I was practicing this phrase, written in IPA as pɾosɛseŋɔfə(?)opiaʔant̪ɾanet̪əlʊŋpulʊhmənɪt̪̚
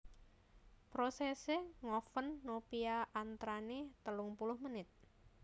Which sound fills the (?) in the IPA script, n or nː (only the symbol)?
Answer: nː